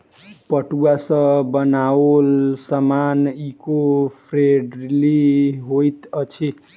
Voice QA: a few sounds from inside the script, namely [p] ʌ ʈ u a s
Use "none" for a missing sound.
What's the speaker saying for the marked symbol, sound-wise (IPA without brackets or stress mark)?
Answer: p